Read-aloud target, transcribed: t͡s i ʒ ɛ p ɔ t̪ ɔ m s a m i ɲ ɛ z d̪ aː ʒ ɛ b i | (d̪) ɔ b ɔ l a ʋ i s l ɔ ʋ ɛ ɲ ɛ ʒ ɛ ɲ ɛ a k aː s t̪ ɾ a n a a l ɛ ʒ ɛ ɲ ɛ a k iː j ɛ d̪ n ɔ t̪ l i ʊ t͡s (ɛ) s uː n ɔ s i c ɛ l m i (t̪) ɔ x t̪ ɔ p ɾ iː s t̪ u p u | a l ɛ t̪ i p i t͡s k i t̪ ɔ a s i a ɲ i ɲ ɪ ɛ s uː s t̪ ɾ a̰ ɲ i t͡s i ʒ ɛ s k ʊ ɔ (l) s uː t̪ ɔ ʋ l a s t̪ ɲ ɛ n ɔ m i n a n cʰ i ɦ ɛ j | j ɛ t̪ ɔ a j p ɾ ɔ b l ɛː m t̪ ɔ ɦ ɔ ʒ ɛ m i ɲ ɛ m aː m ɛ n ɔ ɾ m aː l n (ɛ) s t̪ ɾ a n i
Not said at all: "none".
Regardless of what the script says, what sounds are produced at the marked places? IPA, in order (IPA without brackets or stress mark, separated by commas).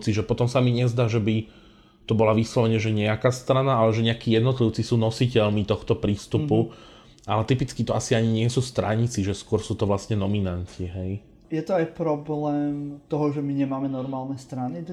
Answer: t̪, i, t̪, ɾ, ɛ